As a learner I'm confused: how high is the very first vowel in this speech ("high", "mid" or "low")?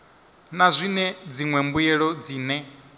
low